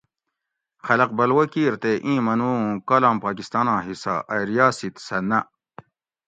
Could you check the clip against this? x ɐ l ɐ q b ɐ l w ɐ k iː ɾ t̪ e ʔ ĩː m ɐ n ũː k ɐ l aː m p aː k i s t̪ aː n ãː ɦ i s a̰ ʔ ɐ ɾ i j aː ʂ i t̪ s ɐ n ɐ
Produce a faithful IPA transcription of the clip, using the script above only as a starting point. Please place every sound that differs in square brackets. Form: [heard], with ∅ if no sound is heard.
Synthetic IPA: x ɐ l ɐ q b ɐ l w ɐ k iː ɾ t̪ e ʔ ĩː m ɐ n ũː k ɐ l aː m p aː k i s t̪ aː n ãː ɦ i s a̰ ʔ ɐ ɾ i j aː [s] i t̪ s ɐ n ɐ